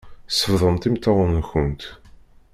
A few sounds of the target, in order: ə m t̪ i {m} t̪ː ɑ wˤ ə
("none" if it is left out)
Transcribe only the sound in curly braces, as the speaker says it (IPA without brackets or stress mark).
m